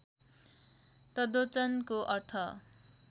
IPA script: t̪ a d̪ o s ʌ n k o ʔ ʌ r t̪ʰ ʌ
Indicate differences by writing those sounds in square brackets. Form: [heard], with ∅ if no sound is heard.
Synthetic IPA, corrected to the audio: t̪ [ʌ] d̪ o [t͡s] ʌ n k o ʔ ʌ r t̪ʰ ʌ

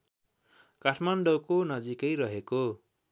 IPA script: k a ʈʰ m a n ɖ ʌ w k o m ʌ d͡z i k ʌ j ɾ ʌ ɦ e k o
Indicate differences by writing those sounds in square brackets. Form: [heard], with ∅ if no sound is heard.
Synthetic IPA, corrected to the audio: k a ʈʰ m a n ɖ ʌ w k o [n] ʌ d͡z i k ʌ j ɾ ʌ ɦ e k o

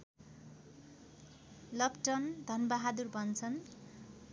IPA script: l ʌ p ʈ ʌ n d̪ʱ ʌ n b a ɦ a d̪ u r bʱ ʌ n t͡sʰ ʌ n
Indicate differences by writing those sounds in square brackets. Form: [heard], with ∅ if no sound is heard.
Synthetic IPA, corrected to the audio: l ʌ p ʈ ʌ n d̪ʱ ʌ n b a ɦ a d̪ u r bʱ ʌ n t͡sʰ ʌ n

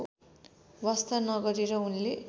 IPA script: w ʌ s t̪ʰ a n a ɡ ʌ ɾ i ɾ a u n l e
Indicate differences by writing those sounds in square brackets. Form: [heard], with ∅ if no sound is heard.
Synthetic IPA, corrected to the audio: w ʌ s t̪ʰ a n [ʌ] ɡ ʌ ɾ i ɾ [ʌ] u n l e

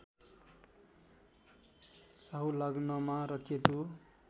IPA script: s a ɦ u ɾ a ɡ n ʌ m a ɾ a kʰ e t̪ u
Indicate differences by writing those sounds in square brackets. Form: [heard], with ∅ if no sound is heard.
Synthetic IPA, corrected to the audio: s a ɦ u [l] a ɡ n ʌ m a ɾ [ʌ] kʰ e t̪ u

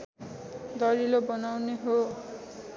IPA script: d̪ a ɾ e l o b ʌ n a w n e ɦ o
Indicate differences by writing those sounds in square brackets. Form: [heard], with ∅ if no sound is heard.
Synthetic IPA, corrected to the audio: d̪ [ʌ] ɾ [i] l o b ʌ n a w n e ɦ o

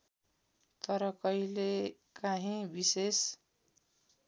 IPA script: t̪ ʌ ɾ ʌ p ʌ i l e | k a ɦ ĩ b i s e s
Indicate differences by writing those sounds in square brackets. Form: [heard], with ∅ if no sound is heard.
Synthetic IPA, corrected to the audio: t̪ ʌ ɾ ʌ [k] ʌ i l e | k a ɦ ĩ b i s e s

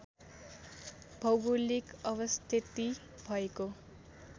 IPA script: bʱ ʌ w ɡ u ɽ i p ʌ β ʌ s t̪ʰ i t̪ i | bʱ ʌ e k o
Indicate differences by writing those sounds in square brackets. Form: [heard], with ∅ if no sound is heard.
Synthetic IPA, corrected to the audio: bʱ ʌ w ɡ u [l] i [k] ʌ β ʌ s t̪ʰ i t̪ i | bʱ ʌ e k o

